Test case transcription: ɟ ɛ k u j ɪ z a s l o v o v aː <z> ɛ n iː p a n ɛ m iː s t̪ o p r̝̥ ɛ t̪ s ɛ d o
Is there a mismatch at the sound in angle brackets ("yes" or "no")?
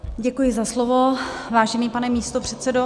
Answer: yes